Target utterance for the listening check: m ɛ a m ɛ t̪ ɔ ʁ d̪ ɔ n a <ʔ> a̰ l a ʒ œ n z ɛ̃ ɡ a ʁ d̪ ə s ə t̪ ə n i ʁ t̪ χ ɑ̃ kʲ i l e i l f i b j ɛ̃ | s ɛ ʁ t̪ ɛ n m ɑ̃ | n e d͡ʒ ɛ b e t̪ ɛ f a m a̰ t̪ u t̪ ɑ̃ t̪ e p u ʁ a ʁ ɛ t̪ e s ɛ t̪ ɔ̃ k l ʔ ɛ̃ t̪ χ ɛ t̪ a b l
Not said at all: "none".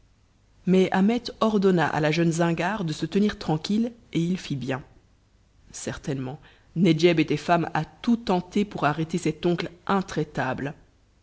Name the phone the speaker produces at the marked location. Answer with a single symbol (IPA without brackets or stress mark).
ʔ